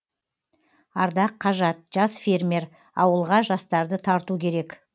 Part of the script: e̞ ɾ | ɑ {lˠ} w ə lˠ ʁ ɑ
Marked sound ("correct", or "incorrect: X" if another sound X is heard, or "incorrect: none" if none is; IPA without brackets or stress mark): incorrect: none